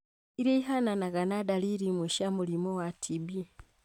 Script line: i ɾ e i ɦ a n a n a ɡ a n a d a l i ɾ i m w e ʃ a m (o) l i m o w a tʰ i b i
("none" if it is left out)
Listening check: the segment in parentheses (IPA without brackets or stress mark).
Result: u